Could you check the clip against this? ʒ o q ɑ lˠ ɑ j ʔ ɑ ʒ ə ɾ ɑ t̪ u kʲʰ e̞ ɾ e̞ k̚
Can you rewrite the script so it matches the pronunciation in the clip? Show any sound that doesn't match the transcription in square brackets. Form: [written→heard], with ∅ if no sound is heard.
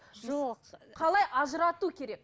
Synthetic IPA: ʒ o [q→qʰ] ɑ lˠ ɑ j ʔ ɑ ʒ ə ɾ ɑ t̪ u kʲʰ e̞ ɾ e̞ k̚